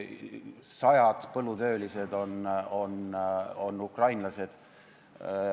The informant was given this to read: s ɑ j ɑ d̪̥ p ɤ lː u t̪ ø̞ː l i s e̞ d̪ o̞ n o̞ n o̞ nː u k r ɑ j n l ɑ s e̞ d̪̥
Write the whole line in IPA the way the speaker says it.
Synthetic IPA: s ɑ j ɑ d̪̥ p ɤ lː u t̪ ø̞ː l i s e̞ d̪ o̞ n o̞ n o̞ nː u k r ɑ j n l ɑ s e̞ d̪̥